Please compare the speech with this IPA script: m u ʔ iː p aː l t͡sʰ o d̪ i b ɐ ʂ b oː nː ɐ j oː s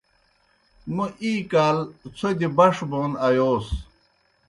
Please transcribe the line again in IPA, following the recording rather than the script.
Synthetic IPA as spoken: m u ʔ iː k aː l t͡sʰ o d̪ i b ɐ ʂ b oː n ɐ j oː s